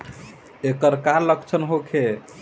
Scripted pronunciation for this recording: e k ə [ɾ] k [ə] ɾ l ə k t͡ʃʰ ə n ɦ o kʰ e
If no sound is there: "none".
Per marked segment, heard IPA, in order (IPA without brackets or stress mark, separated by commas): ɾ, a